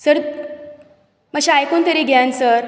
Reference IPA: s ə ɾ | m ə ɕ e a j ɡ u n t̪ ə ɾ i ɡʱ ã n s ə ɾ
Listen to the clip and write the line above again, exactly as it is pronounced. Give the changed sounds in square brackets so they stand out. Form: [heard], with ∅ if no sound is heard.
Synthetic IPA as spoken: s ə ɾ | m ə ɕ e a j [k] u n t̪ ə ɾ i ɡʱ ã n s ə ɾ